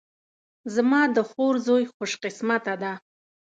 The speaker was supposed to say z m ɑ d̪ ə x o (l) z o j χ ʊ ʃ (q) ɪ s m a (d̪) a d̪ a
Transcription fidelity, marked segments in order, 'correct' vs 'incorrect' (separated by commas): incorrect, correct, incorrect